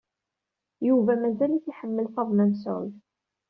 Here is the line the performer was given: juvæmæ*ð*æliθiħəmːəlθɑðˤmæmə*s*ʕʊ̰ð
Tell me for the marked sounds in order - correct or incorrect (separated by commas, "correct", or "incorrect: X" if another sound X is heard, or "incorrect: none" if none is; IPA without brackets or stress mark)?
incorrect: z, correct